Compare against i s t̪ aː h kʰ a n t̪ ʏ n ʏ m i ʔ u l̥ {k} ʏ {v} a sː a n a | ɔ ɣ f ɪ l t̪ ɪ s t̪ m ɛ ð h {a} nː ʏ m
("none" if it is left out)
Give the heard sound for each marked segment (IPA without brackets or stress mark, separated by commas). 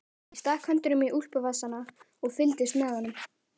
p, v, a